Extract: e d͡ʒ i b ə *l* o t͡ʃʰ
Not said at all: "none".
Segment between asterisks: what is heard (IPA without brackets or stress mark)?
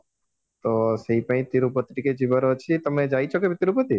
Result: ɾ